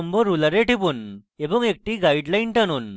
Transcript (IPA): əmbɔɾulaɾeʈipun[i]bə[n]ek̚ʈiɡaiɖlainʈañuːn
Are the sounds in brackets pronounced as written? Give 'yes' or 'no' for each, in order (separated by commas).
no, no